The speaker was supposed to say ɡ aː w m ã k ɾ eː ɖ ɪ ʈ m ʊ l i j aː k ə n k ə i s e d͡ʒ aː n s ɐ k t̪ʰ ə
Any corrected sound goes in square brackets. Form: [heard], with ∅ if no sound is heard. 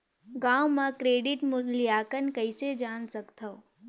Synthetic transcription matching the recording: ɡ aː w m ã k ɾ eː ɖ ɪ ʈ m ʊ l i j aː k ə n k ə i s e d͡ʒ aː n s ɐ k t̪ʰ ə